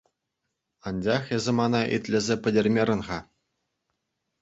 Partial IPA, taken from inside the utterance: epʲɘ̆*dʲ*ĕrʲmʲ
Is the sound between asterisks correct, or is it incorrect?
correct